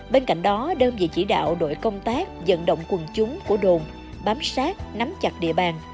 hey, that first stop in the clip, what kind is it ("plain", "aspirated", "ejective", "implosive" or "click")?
implosive